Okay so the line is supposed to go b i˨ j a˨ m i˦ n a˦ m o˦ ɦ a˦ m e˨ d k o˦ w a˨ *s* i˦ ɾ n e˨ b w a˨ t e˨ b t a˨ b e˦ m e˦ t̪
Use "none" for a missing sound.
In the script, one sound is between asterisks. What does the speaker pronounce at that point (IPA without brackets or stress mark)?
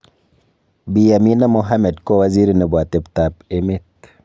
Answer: z